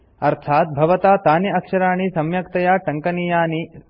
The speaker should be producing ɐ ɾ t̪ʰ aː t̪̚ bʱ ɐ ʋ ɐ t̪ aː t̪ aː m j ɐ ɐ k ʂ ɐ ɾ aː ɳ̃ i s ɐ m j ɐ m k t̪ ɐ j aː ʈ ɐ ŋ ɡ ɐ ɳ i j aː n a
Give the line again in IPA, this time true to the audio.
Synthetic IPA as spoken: ɐ ɾ t̪ʰ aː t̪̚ bʱ ɐ ʋ ɐ t̪ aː t̪ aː n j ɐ ɐ k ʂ ɐ ɾ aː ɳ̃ i s ɐ m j ɐ k t̪ ɐ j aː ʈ ɐ ŋ k ɐ n i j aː n i